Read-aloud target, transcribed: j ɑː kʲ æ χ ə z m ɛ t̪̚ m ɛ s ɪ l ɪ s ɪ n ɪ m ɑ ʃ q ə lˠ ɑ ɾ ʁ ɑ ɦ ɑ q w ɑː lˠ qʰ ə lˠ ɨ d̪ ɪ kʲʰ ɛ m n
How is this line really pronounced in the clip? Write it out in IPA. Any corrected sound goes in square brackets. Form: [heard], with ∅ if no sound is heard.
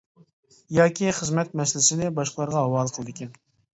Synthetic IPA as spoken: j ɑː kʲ [i] χ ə z m ɛ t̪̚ m ɛ s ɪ l ɪ s ɪ n ɪ [b] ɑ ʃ q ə lˠ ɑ ɾ ʁ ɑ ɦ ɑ [∅] w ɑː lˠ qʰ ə lˠ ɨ d̪ ɪ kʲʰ ɛ [∅] n